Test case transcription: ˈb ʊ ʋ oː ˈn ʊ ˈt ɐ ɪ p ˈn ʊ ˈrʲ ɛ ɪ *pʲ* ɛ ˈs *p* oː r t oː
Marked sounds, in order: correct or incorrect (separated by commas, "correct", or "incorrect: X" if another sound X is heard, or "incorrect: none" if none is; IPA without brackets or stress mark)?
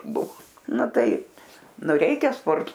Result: incorrect: kʲ, correct